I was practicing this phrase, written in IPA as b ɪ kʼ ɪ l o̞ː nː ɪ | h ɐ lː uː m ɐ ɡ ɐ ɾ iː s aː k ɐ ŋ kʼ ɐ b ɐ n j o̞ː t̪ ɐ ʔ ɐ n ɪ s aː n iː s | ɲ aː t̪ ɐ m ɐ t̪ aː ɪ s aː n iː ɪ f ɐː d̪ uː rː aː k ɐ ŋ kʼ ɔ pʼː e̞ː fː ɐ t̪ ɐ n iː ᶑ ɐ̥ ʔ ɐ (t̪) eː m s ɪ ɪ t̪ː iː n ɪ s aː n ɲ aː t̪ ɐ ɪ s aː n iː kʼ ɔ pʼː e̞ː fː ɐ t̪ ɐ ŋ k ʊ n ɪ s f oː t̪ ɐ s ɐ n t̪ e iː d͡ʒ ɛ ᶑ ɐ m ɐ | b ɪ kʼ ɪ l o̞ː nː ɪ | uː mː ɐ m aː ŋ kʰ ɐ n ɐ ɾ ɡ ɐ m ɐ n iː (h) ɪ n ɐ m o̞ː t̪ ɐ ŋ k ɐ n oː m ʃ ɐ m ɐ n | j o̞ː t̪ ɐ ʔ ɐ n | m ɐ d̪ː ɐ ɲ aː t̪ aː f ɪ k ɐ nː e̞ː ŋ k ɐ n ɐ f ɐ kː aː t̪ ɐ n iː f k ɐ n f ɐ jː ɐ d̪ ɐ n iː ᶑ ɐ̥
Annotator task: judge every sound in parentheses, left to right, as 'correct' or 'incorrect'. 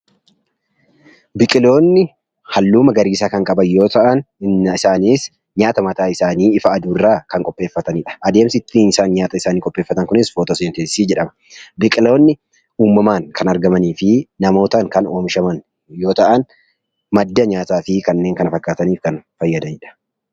incorrect, incorrect

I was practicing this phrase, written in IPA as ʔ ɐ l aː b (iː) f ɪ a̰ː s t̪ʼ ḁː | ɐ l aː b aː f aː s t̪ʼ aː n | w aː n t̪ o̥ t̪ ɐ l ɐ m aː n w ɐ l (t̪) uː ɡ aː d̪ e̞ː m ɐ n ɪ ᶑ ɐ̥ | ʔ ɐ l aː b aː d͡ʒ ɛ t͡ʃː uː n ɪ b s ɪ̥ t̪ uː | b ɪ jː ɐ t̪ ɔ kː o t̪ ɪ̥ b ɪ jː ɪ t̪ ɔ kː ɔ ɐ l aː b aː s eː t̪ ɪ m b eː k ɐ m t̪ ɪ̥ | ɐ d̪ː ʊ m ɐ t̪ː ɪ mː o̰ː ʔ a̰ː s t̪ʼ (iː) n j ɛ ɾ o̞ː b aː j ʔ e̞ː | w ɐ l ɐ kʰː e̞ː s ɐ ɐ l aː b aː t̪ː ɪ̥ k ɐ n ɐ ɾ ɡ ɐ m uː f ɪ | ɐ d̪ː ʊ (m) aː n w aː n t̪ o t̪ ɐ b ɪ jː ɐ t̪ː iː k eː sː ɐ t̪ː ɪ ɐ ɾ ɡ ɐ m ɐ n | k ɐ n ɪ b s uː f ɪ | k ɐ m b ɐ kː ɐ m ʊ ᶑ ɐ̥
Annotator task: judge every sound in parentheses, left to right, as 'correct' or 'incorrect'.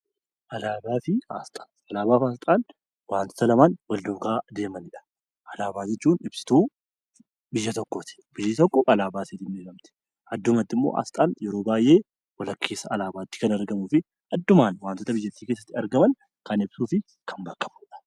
incorrect, incorrect, incorrect, correct

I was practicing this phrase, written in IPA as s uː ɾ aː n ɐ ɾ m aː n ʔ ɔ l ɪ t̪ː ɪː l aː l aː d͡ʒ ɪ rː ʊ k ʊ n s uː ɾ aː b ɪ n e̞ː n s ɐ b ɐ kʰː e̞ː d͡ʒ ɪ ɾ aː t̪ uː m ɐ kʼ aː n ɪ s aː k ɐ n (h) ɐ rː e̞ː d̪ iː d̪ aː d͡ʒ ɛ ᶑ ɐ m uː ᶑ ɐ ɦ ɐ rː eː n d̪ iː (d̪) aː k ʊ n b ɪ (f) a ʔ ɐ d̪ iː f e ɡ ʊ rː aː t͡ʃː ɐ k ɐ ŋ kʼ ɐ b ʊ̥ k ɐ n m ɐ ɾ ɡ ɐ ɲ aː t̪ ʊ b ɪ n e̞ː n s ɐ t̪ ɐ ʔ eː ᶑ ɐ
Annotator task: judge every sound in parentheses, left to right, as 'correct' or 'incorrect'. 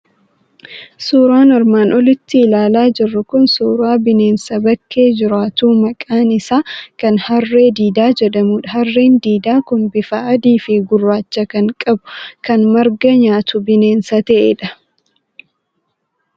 correct, correct, correct

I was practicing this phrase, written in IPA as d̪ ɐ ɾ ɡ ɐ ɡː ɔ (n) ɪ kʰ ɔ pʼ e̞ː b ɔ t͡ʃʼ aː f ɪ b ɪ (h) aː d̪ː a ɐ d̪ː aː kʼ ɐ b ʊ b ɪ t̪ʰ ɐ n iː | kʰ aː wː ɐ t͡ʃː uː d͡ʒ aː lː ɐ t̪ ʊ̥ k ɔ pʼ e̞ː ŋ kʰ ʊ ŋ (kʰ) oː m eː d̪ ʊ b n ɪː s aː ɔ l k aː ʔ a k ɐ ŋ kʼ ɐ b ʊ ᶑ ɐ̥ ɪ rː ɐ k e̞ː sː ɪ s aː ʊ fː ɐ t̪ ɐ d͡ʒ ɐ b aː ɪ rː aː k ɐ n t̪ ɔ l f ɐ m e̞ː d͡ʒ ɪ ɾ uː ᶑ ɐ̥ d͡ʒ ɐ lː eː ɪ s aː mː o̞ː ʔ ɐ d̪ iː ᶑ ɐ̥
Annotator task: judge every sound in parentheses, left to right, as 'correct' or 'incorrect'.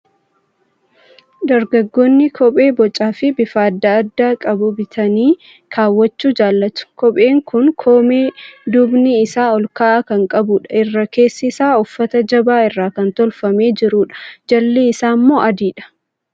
incorrect, incorrect, correct

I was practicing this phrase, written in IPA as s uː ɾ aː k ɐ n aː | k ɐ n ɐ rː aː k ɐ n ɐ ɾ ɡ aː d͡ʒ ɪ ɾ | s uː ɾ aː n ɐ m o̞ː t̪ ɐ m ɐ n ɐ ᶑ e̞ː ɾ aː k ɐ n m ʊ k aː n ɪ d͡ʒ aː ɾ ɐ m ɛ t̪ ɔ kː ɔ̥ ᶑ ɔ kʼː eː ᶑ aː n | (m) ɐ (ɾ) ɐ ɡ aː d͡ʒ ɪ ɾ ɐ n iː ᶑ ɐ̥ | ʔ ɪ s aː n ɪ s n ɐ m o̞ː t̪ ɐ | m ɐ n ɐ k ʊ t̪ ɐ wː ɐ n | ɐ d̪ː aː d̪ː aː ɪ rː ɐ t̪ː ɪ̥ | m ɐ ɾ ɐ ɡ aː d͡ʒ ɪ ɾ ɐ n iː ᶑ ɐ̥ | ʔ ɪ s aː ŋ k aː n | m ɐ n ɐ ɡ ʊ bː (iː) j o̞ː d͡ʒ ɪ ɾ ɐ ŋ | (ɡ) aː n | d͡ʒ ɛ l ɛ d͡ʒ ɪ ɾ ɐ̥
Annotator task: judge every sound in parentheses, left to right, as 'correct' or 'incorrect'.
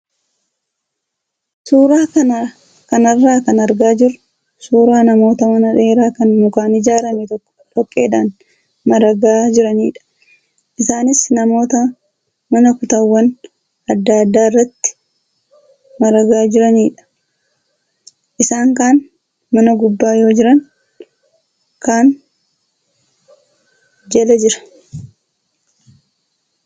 correct, correct, incorrect, incorrect

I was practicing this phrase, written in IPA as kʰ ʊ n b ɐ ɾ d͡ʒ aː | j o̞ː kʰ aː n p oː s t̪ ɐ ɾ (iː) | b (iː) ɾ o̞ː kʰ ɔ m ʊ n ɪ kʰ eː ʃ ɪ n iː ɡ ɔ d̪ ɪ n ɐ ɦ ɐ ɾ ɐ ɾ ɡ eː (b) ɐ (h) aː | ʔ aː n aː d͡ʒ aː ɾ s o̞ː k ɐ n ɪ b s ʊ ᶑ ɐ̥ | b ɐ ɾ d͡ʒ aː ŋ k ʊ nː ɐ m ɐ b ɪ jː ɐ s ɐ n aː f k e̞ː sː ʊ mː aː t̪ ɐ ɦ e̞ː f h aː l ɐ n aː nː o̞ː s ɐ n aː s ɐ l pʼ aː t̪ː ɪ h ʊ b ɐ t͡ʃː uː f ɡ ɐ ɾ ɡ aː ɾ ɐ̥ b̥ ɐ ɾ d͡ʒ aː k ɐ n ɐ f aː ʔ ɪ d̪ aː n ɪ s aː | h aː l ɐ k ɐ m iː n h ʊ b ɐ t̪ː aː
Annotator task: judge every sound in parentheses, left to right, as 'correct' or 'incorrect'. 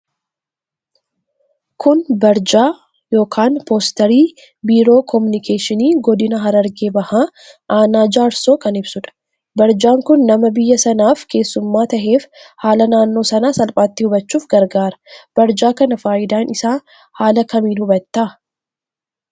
correct, correct, correct, correct

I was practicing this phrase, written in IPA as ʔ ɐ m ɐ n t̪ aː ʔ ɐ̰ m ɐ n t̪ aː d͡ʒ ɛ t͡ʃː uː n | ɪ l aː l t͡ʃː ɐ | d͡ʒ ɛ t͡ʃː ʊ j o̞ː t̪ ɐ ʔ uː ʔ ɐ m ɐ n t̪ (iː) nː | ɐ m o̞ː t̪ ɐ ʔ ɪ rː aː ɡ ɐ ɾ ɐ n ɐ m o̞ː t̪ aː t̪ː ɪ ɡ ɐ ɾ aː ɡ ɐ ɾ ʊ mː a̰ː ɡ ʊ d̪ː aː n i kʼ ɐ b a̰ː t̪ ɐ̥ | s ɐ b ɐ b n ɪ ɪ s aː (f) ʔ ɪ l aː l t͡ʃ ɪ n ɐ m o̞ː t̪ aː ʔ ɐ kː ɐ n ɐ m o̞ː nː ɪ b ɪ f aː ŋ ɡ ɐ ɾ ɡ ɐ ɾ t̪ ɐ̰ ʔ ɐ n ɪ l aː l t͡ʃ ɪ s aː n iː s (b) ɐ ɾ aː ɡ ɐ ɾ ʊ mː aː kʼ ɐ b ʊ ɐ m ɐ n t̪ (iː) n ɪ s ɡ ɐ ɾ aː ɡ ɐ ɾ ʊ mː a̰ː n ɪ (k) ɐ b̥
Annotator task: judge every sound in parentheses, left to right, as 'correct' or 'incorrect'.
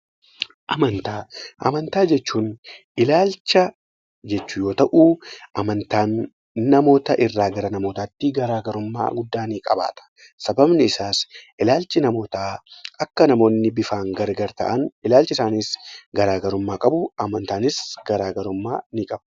incorrect, incorrect, incorrect, incorrect, incorrect

